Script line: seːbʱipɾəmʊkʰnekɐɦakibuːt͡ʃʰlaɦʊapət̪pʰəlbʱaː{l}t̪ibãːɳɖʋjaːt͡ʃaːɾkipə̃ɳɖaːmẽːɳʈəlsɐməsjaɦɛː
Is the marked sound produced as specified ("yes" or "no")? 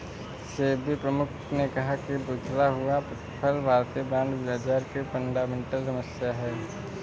no